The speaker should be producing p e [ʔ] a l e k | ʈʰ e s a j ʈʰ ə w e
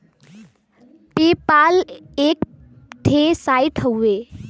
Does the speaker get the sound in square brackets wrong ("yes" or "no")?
yes